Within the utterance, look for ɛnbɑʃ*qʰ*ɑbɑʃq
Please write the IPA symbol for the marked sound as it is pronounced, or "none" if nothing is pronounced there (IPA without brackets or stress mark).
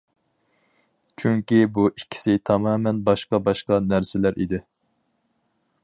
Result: q